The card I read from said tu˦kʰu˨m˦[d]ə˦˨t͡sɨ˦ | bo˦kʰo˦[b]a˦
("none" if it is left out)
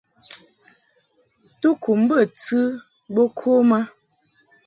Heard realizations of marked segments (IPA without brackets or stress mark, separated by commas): b, m